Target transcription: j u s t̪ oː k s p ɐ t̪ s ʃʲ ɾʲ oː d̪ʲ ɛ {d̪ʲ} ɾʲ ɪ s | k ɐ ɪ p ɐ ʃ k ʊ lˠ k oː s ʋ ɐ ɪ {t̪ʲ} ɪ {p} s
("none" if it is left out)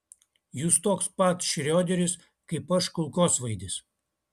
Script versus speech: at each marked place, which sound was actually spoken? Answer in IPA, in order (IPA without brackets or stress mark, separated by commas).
none, d̪ʲ, none